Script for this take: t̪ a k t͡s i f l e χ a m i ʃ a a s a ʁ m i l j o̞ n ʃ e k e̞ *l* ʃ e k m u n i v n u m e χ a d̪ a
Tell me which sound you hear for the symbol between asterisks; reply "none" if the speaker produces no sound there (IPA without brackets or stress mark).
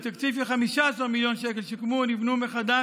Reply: l